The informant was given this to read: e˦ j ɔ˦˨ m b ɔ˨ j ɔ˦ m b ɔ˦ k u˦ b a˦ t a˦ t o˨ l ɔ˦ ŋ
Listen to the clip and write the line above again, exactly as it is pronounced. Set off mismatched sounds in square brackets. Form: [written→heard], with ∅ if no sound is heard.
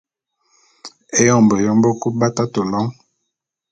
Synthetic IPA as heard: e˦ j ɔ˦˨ m b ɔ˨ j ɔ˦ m b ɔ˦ k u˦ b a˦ t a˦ t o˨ l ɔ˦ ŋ